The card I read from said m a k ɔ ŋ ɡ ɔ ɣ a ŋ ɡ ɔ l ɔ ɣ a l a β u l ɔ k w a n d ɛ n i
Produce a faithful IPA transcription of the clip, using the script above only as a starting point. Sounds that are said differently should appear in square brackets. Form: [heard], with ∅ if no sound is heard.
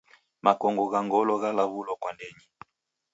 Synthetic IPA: m a k ɔ ŋ ɡ ɔ ɣ a ŋ ɡ ɔ l ɔ ɣ a l a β u l ɔ k w a n d ɛ [ɲ] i